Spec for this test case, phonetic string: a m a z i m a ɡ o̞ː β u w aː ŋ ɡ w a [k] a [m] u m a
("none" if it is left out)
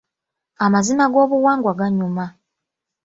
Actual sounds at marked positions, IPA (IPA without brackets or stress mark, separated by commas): ɡ, ɲ